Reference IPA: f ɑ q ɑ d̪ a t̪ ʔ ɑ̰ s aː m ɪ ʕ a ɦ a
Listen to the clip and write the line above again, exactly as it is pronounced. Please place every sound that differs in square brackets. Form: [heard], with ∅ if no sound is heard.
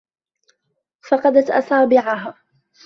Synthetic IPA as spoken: f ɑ q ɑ d̪ a t̪ ʔ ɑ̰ s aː [b] ɪ ʕ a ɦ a